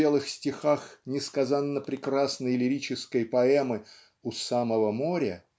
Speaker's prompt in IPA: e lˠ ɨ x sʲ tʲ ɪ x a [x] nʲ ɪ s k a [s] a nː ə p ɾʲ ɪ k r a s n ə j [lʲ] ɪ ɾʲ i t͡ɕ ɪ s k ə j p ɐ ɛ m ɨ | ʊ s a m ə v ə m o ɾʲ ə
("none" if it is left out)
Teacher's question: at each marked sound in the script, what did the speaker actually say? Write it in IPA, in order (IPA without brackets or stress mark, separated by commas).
x, z, lʲ